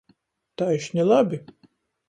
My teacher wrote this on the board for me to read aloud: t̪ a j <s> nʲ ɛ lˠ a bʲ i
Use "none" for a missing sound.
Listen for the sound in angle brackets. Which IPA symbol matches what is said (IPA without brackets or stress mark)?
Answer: ʃ